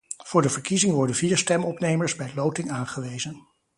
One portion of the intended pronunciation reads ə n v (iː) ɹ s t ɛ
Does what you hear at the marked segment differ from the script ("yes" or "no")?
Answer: no